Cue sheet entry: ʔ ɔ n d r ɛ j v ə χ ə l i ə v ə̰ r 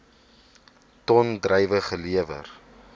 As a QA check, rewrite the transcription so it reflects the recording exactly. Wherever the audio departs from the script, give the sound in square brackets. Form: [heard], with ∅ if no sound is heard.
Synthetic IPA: [t] ɔ n d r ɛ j v ə χ ə l i ə v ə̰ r